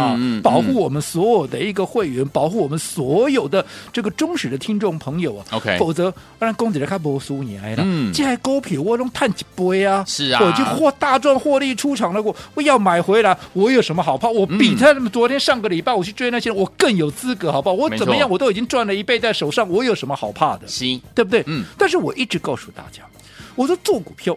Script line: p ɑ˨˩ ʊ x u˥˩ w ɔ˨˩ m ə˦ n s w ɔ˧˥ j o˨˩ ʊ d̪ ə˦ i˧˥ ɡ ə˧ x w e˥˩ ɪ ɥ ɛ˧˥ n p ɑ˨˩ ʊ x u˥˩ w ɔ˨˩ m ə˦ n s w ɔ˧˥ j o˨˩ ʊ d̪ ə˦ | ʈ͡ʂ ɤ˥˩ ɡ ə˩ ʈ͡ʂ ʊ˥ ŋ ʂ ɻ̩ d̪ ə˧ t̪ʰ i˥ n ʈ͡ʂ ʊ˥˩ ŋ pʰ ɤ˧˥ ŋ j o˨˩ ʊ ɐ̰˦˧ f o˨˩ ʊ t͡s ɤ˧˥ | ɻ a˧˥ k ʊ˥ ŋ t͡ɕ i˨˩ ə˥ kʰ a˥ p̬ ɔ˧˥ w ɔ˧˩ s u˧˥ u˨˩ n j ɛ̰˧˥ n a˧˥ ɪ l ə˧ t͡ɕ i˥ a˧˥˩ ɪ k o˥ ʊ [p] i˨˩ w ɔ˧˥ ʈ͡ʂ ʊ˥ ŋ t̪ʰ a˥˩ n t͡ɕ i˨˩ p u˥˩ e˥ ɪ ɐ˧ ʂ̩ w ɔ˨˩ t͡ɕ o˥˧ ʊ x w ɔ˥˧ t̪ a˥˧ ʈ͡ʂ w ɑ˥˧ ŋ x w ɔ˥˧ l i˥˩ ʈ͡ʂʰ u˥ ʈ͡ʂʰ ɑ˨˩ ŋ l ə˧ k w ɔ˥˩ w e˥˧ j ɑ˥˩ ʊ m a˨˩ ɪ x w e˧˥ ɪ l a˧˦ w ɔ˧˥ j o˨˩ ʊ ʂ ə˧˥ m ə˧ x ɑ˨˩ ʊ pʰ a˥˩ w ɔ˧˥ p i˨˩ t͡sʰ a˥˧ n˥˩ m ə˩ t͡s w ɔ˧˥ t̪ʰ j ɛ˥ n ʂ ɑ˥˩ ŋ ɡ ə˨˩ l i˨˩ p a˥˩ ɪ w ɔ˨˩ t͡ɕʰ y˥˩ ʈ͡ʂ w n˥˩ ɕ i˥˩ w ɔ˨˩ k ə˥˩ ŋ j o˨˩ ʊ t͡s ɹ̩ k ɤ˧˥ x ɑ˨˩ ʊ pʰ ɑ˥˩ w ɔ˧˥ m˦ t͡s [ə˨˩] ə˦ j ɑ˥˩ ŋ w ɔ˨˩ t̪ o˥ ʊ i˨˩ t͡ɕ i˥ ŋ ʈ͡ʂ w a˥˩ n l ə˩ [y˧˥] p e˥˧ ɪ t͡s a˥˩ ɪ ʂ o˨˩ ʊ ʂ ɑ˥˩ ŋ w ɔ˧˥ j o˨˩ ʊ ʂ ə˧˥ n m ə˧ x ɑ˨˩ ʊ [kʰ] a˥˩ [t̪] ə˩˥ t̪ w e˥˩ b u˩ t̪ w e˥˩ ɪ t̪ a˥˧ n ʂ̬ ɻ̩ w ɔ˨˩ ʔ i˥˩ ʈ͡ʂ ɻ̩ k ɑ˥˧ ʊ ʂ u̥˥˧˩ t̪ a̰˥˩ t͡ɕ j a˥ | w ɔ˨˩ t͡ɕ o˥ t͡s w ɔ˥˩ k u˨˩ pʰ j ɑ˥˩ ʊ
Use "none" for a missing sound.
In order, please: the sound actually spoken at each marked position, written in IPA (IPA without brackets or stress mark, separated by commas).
pʰ, ə˨˩, i˧˥, pʰ, d̪